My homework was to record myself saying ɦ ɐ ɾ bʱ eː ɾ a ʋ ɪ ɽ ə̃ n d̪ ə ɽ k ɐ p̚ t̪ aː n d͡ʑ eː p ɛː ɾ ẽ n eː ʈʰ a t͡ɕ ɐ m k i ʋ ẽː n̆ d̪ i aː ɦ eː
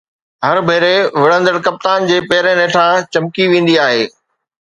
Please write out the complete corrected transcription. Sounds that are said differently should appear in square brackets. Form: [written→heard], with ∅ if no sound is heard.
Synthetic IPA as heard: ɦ ɐ ɾ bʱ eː ɾ [a→e] ʋ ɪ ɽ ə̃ n d̪ ə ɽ k ɐ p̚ t̪ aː n d͡ʑ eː p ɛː ɾ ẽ n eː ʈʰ a t͡ɕ ɐ m k i ʋ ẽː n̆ d̪ i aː ɦ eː